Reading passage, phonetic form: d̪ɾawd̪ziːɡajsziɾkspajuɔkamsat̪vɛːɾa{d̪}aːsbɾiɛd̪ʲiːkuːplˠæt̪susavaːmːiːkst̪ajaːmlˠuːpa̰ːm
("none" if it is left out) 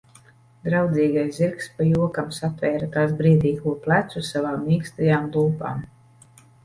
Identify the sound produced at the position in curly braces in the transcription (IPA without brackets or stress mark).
t̪